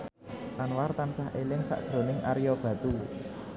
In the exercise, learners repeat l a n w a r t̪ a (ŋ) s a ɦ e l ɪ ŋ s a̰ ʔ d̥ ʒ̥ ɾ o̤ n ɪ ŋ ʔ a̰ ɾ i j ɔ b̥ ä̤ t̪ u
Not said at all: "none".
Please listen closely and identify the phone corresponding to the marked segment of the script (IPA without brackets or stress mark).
n